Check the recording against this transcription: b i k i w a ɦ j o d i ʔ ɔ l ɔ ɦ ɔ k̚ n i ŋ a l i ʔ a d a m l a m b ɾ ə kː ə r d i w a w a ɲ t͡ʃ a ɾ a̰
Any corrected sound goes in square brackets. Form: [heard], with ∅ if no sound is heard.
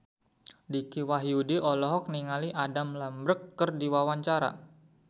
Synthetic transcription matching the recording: [d] i k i w a ɦ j [u] d i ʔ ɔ l ɔ ɦ ɔ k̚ n i ŋ a l i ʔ a d a m l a m b ɾ ə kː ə r d i w a w a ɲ t͡ʃ a ɾ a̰